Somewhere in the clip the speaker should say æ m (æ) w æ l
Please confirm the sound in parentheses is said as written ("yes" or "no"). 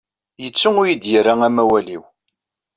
yes